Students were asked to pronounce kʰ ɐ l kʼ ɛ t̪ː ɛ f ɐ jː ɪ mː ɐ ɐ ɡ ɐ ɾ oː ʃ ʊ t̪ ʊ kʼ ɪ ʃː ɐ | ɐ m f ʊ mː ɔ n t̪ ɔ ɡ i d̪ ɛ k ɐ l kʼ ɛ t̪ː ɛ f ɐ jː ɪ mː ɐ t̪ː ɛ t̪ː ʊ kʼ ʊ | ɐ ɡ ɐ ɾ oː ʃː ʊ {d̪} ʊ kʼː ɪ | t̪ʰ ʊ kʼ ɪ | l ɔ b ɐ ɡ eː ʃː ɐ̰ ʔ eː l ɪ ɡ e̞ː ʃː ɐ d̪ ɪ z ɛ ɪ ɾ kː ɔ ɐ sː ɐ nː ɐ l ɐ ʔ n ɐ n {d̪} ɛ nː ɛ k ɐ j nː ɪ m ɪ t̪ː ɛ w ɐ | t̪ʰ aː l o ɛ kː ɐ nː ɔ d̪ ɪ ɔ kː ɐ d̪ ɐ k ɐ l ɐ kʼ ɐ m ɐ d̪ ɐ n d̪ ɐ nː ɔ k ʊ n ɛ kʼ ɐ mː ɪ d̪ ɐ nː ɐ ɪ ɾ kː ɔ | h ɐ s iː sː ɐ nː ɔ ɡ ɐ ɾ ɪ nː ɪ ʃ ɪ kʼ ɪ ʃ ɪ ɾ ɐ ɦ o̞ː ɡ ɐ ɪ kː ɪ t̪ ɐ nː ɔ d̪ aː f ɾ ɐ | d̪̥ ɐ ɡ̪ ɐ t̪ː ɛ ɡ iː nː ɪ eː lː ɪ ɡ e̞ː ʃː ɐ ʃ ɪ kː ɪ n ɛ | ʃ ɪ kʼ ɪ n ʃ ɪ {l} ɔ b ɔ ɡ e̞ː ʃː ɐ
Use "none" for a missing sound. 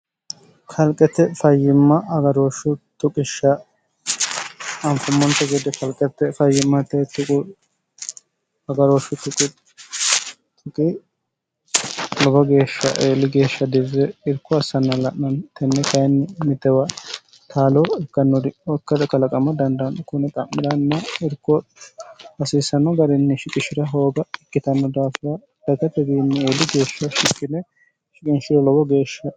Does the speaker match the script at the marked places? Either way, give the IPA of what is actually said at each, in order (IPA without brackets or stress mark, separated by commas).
t̪, t̪, l